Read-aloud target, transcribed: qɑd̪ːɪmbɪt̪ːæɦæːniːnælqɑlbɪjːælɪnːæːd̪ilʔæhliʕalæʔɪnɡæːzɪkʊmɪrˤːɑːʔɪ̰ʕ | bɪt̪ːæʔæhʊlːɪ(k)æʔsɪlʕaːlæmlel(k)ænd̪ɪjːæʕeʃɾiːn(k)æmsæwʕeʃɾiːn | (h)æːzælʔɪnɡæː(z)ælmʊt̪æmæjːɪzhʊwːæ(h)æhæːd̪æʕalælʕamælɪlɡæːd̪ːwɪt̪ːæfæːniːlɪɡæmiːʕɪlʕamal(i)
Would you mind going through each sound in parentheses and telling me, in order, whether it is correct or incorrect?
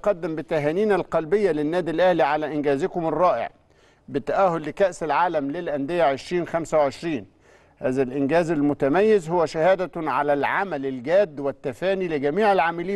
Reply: correct, incorrect: ʔ, incorrect: x, correct, correct, incorrect: ʃ, incorrect: iː

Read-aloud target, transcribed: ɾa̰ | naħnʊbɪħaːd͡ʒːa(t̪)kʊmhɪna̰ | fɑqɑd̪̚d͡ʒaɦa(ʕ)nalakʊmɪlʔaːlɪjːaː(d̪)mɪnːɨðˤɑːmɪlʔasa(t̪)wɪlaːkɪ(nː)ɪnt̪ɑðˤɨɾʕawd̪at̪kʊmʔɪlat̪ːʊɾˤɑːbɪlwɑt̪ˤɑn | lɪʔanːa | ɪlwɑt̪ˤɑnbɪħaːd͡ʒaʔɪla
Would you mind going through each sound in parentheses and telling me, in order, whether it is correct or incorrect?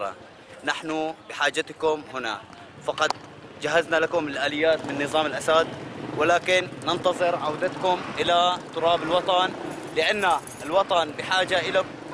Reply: correct, incorrect: z, incorrect: t̪, incorrect: d̪, correct

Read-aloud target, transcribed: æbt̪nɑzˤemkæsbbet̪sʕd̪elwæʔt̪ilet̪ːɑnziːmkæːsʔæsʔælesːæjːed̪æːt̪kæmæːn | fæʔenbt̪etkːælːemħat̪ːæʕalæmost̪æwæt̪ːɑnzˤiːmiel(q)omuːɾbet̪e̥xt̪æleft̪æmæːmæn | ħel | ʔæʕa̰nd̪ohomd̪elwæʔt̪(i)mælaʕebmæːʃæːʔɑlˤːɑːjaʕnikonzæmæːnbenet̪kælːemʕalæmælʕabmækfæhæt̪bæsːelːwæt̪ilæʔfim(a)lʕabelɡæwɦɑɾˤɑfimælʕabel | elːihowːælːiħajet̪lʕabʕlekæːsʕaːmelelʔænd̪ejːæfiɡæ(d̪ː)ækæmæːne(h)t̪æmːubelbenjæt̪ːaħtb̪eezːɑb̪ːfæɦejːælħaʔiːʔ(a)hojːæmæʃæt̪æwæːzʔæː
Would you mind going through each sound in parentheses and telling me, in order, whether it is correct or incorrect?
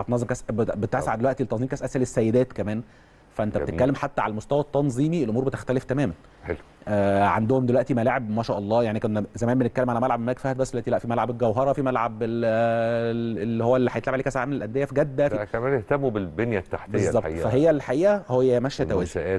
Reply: incorrect: ʔ, correct, incorrect: æ, correct, correct, incorrect: æ

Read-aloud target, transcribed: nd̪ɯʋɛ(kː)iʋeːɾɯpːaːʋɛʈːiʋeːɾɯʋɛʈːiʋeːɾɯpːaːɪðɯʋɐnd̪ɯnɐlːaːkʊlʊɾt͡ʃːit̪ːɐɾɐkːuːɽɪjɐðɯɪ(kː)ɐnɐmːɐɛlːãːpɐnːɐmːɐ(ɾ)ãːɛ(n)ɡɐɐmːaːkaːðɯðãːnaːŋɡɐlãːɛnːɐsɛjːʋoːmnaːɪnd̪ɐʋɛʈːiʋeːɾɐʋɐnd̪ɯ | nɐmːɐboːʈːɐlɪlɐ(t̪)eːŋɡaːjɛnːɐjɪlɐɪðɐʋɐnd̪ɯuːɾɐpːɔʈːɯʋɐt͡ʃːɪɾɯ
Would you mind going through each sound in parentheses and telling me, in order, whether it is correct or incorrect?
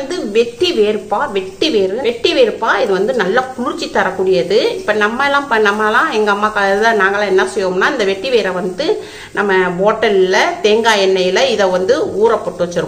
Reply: incorrect: ʈː, incorrect: pː, incorrect: l, incorrect: ŋ, correct

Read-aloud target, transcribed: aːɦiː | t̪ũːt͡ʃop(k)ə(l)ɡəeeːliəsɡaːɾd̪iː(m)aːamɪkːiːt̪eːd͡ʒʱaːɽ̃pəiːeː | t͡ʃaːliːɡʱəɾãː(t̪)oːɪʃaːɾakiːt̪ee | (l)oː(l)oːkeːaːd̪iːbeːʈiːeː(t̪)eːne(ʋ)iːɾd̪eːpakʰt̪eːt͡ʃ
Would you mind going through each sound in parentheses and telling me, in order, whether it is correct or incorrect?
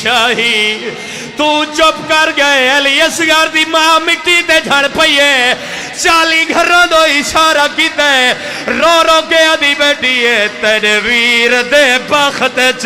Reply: correct, incorrect: ɾ, correct, incorrect: d̪, incorrect: ɾ, incorrect: ɾ, correct, correct

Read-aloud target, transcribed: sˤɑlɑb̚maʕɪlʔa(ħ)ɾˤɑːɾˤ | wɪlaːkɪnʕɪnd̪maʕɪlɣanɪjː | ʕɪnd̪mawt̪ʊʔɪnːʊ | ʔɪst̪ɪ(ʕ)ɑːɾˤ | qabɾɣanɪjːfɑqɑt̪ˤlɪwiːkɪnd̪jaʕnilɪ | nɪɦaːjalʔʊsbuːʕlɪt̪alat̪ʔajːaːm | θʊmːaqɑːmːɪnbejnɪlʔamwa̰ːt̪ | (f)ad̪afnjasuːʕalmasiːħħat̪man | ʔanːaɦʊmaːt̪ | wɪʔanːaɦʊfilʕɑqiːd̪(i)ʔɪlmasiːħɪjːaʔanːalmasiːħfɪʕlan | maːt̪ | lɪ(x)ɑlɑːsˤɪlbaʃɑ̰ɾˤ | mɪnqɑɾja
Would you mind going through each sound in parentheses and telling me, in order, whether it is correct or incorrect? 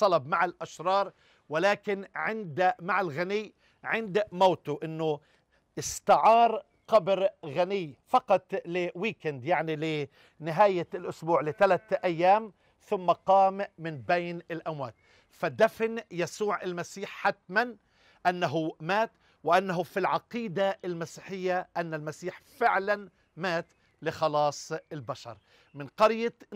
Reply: incorrect: ʃ, correct, correct, incorrect: a, correct

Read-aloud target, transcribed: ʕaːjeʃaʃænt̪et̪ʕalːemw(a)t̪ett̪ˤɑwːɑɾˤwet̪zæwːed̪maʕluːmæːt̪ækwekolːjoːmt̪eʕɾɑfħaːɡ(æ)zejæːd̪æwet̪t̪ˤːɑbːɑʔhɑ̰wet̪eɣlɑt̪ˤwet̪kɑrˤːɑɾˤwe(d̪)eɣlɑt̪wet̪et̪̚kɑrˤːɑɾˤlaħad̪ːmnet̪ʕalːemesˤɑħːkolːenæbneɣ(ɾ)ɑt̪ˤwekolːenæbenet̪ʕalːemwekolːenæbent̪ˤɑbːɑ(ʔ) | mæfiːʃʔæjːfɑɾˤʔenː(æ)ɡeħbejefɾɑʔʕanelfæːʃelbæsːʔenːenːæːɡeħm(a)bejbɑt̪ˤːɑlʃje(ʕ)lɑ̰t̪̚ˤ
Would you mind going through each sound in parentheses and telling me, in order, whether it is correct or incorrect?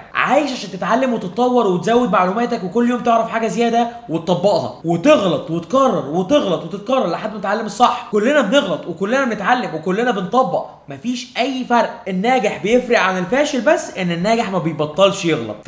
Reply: incorrect: e, correct, incorrect: t̪, incorrect: l, correct, incorrect: æː, incorrect: æ, incorrect: ɣ

